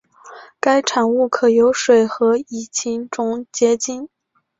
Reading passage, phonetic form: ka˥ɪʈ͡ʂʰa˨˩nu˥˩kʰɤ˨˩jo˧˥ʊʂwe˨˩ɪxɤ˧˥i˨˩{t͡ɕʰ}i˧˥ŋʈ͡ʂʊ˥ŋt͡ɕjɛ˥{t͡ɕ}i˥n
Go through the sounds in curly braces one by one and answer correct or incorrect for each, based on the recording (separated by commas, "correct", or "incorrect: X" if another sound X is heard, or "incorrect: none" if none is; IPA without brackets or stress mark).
correct, correct